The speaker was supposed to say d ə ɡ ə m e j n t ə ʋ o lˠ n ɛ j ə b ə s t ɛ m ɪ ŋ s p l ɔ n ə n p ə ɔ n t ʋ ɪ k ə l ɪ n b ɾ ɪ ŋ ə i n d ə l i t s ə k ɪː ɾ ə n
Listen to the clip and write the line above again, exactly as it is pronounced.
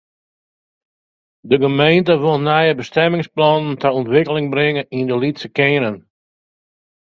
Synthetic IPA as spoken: d ə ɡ ə m e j n t ə ʋ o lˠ n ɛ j ə b ə s t ɛ m ɪ ŋ s p l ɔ n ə n t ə ɔ n t ʋ ɪ k ə l ɪ ŋ b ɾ ɪ ŋ ə i n d ə l i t s ə k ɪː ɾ ə n